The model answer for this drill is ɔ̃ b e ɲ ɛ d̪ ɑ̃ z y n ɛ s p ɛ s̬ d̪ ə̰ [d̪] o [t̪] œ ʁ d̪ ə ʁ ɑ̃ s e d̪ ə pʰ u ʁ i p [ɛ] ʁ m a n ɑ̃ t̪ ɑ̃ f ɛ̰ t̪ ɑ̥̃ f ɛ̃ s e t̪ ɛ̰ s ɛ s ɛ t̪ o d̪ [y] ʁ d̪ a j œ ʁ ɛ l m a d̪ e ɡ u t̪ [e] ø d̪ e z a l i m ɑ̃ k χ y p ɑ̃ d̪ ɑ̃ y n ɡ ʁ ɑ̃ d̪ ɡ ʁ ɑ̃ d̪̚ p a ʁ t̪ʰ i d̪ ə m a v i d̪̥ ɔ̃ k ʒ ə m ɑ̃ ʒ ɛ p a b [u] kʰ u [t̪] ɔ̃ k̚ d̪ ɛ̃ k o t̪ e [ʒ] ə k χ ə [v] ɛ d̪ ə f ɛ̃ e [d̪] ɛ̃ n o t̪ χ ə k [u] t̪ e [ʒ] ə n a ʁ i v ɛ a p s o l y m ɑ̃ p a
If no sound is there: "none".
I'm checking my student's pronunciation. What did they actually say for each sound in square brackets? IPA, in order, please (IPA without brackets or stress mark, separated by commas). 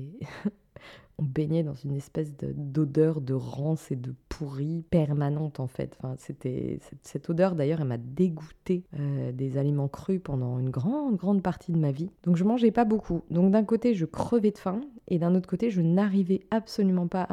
d̪, d̪, ɛ, œ, e, o, d̪, ʒ, v, d̪, o, ʒ